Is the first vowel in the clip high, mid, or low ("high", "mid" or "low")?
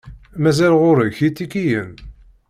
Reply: low